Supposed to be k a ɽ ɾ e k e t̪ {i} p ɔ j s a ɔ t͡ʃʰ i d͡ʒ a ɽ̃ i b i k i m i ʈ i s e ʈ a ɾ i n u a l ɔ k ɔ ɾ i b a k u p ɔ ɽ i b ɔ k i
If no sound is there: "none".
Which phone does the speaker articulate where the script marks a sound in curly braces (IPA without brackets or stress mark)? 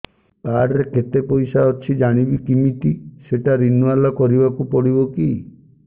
e